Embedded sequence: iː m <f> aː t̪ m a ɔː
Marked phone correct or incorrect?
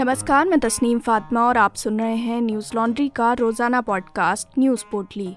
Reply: correct